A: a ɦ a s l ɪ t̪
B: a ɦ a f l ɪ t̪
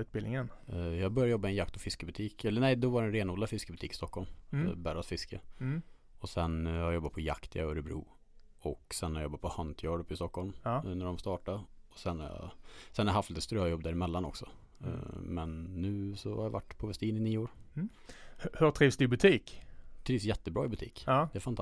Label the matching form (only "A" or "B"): B